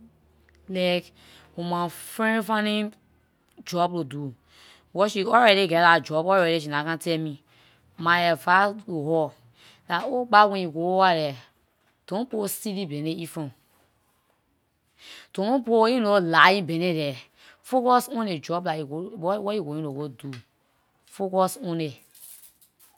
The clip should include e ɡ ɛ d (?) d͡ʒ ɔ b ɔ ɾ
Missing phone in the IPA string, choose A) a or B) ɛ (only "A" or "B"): A